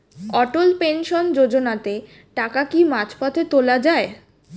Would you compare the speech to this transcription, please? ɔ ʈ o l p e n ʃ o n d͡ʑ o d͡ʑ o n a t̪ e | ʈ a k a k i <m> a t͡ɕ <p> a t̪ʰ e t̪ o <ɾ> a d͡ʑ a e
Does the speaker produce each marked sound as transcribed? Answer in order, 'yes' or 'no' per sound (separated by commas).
yes, yes, no